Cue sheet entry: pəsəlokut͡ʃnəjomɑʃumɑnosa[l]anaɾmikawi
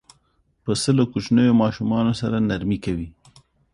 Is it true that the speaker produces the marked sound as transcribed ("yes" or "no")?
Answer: no